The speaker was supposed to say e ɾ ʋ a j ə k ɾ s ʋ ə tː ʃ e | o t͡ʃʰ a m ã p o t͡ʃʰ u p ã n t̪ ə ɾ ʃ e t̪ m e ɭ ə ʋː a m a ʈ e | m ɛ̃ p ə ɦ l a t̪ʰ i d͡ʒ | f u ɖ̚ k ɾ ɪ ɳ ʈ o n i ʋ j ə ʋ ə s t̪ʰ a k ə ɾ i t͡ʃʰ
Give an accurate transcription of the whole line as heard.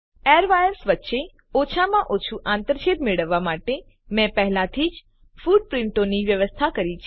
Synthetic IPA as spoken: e ɾ ʋ a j ə ɾ s ʋ ə tː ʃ e | o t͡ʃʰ a m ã ʔ o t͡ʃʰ u ʔ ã n t̪ ə ɾ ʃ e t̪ m e ɭ ə ʋː a m a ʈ e | m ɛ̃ p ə ɦ l a t̪ʰ i d͡ʒ | f u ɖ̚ p ɾ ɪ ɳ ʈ o n i ʋ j ə ʋ ə s t̪ʰ a k ə ɾ i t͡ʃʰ